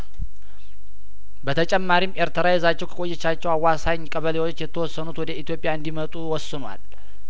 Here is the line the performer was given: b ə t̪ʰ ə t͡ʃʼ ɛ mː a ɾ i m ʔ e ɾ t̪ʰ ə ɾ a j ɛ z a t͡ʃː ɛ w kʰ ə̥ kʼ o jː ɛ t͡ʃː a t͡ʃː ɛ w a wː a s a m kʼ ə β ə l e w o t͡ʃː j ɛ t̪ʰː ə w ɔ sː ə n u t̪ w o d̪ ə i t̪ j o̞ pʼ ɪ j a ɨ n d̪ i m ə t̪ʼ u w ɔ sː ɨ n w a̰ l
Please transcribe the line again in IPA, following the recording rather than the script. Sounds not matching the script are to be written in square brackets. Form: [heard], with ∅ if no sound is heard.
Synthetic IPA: b ə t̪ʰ ə t͡ʃʼ ɛ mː a ɾ i m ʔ e ɾ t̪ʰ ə ɾ a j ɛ z a t͡ʃː ɛ w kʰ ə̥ kʼ o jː ɛ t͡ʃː a t͡ʃː ɛ w a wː a s a [ɲ] kʼ ə β ə l e w o t͡ʃː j ɛ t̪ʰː ə w ɔ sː ə n u t̪ w [ɔ] d̪ ə i t̪ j o̞ pʼ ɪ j a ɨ n d̪ i m ə t̪ʼ u w ɔ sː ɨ n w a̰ l